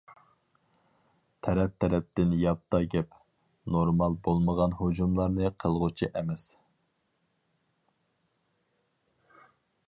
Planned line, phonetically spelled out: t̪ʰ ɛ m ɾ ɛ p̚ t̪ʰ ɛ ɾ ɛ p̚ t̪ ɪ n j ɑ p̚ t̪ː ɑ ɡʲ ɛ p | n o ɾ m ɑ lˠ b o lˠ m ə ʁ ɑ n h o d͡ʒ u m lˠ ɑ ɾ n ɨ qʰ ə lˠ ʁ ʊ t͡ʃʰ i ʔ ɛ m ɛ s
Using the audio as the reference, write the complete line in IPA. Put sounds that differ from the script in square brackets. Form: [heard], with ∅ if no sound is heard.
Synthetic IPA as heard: t̪ʰ ɛ [∅] ɾ ɛ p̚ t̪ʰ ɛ ɾ ɛ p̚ t̪ ɪ n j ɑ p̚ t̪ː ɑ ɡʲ ɛ p | n o ɾ m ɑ lˠ b o lˠ m ə ʁ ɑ n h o d͡ʒ u m lˠ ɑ ɾ n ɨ qʰ ə lˠ ʁ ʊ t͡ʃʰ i ʔ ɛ m ɛ s